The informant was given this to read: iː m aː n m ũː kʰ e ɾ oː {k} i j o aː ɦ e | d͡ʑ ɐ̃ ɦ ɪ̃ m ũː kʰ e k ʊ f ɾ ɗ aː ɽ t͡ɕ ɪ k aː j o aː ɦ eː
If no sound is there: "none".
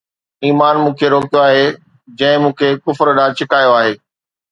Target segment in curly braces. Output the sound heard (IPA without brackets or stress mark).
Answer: k